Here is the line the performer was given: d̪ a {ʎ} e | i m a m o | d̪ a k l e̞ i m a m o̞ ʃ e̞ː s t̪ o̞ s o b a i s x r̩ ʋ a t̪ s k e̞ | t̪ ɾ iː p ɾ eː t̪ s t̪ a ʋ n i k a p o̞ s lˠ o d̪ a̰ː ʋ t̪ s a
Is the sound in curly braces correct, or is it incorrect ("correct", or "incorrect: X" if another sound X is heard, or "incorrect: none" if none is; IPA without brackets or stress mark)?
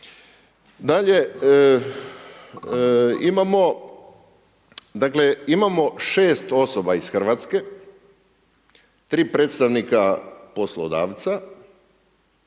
correct